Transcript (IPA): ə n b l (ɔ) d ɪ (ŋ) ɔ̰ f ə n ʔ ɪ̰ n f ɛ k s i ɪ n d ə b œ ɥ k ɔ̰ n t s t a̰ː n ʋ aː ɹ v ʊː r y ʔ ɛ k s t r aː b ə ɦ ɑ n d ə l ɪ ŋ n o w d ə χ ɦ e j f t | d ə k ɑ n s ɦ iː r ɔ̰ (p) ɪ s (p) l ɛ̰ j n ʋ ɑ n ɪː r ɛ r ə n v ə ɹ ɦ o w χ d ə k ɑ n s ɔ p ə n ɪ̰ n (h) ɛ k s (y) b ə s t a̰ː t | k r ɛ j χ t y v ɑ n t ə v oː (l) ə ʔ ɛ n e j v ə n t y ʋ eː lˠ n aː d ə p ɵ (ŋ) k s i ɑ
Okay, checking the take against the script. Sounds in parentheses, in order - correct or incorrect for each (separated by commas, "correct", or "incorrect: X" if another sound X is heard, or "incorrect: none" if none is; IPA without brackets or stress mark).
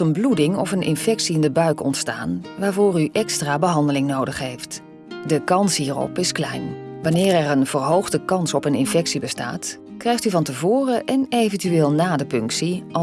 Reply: incorrect: u, correct, correct, incorrect: k, incorrect: f, incorrect: i, incorrect: r, correct